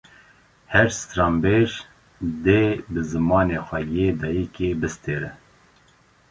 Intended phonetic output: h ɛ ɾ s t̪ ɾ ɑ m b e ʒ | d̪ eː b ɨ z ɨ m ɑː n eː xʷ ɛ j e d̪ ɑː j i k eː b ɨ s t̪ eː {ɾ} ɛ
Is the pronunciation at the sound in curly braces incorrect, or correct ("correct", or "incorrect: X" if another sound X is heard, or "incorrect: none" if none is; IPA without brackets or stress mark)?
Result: correct